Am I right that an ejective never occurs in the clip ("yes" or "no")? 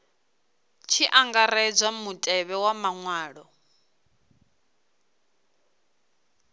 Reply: no